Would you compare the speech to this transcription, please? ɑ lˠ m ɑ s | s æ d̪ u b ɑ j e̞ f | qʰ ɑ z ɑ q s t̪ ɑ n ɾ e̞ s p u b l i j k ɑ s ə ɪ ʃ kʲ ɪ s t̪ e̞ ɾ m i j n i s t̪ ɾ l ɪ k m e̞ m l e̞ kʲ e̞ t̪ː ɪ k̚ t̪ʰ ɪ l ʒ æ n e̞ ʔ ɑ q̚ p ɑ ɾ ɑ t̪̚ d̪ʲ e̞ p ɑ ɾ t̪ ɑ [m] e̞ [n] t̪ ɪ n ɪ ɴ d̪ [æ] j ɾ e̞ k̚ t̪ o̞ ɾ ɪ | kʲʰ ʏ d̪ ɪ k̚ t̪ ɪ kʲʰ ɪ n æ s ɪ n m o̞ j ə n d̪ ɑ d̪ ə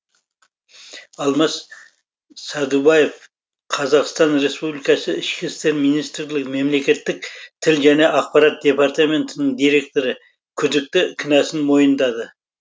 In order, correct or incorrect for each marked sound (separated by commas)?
correct, correct, incorrect